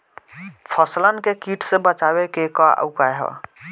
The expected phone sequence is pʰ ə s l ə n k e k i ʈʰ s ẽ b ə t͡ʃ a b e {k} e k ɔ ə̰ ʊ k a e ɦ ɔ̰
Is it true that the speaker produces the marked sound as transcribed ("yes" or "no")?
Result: yes